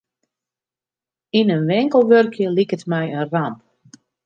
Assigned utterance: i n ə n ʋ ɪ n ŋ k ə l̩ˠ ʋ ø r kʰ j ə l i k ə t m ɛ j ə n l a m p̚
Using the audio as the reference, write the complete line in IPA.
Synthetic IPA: i n ə n ʋ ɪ ŋ k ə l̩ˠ ʋ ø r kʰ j ə l i k ə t m ɛ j ə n r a m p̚